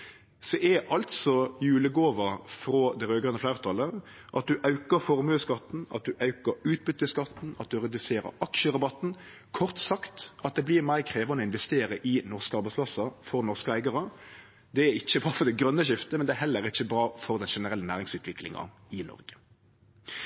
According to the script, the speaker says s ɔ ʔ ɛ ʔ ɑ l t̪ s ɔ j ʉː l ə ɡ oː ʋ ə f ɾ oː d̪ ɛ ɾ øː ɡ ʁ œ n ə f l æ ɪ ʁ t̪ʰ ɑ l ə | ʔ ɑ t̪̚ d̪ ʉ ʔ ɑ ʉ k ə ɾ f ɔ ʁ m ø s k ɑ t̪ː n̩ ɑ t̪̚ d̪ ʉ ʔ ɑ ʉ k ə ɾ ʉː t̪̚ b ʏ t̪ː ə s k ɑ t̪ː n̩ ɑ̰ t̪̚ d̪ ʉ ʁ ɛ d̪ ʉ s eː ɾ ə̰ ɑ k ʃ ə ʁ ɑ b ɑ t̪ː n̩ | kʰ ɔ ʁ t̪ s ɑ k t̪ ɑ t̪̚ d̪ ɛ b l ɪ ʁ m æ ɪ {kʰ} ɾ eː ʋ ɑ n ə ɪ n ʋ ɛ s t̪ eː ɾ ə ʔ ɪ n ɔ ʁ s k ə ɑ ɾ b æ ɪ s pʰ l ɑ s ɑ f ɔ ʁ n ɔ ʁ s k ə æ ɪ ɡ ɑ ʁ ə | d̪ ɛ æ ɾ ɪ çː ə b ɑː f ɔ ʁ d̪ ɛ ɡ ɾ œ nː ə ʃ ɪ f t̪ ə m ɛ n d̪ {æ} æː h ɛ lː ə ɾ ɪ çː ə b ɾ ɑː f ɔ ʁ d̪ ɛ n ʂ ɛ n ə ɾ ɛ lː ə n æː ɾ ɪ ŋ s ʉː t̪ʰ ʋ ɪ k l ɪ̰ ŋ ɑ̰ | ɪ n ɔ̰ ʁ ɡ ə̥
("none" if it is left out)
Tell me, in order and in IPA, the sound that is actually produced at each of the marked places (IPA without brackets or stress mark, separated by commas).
kʰ, ɛ